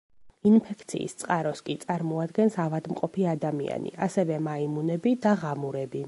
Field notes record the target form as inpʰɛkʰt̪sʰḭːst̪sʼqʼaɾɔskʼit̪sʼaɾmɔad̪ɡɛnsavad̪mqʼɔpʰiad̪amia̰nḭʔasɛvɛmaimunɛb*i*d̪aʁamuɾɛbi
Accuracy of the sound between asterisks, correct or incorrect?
correct